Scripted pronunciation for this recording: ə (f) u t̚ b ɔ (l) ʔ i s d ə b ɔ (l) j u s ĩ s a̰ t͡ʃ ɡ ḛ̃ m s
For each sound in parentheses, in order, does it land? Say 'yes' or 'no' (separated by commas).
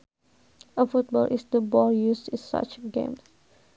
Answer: yes, yes, yes